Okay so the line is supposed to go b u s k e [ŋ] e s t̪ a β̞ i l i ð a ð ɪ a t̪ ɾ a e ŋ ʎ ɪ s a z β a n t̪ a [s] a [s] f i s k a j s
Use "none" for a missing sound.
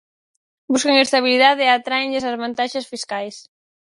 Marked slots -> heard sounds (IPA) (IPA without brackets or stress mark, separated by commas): ŋ, ʃ, s